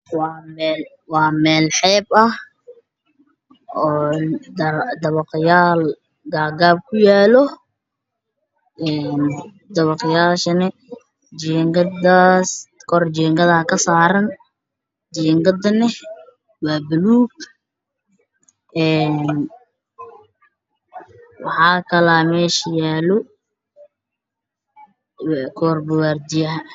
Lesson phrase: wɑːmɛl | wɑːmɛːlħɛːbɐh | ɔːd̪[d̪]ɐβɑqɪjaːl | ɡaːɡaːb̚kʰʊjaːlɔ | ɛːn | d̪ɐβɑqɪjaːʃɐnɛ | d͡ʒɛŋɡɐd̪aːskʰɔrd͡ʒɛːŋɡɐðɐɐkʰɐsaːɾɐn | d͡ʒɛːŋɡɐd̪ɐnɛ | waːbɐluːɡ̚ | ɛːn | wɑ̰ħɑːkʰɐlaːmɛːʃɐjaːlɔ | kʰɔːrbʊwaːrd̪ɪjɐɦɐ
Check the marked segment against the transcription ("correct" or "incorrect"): correct